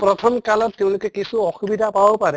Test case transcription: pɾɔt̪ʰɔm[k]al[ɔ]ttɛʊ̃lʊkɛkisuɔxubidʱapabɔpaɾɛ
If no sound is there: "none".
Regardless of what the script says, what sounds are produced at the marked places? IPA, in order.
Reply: k, ɔ

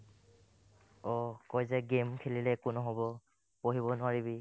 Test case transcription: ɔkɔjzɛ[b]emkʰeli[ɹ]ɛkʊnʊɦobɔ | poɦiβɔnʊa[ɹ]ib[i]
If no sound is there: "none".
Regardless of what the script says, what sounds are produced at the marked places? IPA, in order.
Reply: ɡ, l, ɹ, i

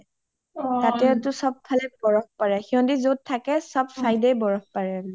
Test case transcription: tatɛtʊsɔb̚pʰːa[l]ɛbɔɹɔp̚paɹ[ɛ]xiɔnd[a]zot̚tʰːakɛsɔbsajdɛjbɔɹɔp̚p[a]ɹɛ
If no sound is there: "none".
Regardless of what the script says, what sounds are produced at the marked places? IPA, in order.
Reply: l, ɛ, i, a

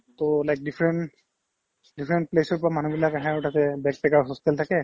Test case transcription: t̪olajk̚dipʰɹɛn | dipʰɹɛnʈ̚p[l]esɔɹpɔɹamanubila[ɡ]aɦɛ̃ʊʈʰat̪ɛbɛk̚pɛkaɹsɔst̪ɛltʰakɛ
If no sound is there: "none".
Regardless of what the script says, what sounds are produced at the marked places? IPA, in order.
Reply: l, k

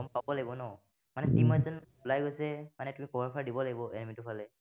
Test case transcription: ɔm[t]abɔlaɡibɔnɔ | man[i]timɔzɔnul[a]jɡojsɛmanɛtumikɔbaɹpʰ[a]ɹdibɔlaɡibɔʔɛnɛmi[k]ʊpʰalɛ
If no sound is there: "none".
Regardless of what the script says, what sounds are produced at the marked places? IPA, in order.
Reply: p, ɛ, a, a, t

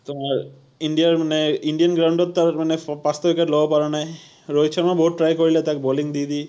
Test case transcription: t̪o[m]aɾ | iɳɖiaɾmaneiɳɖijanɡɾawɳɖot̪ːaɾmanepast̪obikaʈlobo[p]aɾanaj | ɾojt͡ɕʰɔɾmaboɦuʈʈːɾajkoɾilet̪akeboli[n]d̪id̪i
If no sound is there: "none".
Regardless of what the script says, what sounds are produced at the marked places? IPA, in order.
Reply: m, p, ŋ

